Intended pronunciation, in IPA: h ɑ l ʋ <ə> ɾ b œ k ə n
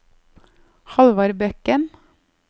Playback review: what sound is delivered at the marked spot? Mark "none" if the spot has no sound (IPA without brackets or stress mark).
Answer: ɑ